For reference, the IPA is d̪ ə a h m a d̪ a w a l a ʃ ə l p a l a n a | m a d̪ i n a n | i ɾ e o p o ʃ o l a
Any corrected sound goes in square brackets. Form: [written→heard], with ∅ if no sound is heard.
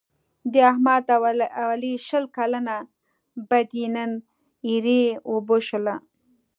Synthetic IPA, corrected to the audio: d̪ ə a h m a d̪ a w a l [a→i] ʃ ə l [p→k] a l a n a | [m→b] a d̪ i n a n | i ɾ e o [p→b] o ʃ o l a